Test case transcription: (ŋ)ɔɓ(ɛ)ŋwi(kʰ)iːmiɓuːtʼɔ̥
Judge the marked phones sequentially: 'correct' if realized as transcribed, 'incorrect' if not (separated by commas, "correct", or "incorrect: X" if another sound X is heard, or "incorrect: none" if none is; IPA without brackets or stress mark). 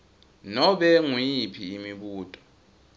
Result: incorrect: n, correct, incorrect: pʰ